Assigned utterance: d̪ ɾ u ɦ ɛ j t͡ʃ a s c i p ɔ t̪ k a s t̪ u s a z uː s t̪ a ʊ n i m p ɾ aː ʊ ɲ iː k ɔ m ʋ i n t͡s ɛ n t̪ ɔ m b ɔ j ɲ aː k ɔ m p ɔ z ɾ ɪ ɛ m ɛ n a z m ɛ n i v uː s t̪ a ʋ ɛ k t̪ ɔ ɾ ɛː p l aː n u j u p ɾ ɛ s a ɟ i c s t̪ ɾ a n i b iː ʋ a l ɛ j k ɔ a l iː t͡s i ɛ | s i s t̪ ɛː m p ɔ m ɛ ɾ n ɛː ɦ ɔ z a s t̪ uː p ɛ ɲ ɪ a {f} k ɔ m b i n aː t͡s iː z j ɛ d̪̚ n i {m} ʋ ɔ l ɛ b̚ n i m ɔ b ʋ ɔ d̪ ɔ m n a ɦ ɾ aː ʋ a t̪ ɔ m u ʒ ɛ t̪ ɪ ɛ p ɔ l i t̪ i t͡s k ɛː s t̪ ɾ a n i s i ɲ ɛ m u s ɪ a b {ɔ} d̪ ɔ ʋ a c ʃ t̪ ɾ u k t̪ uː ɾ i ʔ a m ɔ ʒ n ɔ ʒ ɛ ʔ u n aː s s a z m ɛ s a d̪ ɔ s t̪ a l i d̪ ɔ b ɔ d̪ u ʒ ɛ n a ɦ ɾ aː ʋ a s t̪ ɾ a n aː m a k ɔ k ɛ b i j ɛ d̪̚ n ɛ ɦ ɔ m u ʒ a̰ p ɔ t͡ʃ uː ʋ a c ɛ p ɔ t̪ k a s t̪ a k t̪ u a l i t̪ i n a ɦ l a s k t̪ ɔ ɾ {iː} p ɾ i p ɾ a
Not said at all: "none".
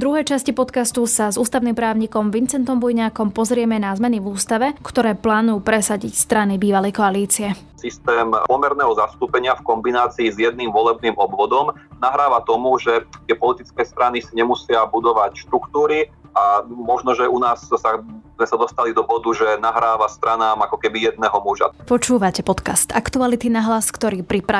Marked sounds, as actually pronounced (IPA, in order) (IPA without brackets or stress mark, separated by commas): f, m, u, iː